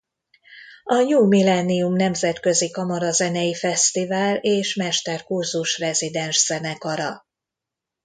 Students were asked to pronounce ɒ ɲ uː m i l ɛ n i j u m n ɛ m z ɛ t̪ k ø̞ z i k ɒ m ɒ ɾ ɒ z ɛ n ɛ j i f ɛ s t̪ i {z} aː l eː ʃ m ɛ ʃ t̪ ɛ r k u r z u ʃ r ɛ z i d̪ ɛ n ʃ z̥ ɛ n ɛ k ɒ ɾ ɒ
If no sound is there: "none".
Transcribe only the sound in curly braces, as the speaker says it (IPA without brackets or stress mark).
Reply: v